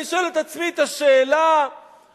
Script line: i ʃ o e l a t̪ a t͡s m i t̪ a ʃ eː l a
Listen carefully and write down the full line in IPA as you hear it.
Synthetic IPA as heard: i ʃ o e l e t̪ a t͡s m i t̪ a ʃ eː l a